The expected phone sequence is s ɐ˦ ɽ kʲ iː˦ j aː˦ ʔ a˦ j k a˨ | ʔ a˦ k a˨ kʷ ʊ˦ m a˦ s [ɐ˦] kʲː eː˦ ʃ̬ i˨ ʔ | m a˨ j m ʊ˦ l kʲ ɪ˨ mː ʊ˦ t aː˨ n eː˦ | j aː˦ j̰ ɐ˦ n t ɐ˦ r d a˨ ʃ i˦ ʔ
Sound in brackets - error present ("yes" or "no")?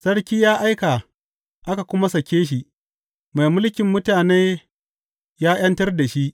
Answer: yes